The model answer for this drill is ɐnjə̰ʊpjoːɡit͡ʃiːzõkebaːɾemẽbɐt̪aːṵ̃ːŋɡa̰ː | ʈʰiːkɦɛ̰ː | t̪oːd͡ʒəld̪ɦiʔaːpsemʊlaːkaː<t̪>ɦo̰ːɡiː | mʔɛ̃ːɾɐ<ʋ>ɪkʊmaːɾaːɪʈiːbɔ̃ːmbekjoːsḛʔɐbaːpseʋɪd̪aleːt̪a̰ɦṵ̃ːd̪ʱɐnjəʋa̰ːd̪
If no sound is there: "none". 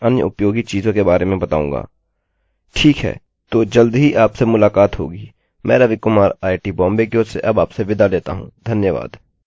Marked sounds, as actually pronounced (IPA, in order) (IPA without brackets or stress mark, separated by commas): t̪, ʋ